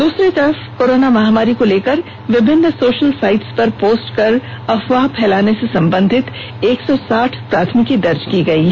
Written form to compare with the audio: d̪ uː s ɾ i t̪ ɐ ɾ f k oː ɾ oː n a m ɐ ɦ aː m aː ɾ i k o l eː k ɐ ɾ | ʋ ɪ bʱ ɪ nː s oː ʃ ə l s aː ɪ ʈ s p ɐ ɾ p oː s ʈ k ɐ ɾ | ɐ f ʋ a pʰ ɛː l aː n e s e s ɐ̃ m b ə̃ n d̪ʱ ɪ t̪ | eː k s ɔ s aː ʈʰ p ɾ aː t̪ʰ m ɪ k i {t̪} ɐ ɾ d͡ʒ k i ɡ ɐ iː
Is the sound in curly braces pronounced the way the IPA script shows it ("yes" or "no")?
no